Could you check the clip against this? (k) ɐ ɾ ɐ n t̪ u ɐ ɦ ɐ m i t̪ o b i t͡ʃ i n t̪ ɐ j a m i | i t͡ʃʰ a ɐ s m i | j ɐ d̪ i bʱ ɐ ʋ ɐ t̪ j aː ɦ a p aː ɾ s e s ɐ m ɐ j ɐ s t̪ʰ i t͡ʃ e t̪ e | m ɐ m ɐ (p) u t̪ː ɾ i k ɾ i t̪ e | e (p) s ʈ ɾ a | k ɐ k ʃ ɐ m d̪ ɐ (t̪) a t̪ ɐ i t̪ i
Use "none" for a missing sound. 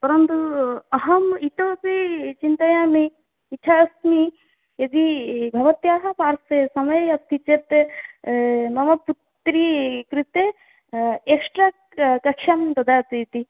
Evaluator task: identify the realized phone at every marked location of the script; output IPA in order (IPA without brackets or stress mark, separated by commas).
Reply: p, p, k, d̪